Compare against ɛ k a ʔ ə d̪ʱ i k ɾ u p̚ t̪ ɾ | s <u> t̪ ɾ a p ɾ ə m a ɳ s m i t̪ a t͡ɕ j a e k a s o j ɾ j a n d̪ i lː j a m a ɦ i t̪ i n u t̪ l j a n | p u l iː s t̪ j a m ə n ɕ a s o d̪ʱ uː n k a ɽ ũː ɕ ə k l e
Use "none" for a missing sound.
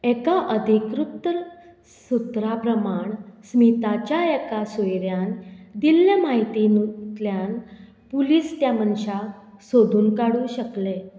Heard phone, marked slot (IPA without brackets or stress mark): u